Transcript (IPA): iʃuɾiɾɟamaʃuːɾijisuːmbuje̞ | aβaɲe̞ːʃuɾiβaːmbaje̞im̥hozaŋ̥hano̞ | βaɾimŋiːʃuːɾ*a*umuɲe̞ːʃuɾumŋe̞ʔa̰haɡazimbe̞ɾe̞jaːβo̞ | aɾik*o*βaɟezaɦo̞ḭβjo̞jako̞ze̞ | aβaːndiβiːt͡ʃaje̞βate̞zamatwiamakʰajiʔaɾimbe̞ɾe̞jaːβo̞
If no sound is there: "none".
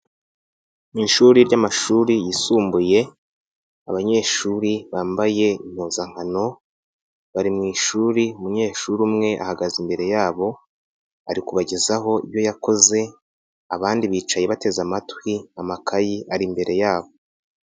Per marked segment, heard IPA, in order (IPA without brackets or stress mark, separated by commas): i, u